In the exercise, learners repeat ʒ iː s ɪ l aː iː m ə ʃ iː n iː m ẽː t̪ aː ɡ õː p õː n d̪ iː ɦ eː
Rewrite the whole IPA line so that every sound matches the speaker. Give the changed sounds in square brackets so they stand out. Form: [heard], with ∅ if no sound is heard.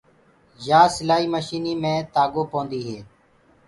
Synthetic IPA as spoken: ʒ [aː] s ɪ l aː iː m ə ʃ iː n iː m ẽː t̪ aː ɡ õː p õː n d̪ iː ɦ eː